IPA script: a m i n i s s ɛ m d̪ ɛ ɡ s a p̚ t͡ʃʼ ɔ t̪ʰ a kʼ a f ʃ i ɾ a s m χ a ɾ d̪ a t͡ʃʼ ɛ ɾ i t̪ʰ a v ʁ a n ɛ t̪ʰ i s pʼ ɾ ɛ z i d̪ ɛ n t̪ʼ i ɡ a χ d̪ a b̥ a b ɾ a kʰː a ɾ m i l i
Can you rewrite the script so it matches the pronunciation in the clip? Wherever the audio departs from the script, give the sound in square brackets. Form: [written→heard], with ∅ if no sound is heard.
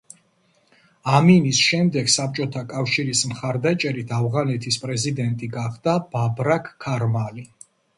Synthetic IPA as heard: a m i n i s [s→ʃ] ɛ m d̪ ɛ ɡ s a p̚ t͡ʃʼ ɔ t̪ʰ a kʼ a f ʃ i ɾ [a→i] s m χ a ɾ d̪ a t͡ʃʼ ɛ ɾ i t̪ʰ a v ʁ a n ɛ t̪ʰ i s pʼ ɾ ɛ z i d̪ ɛ n t̪ʼ i ɡ a χ d̪ a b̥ a b ɾ a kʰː a ɾ m [i→a] l i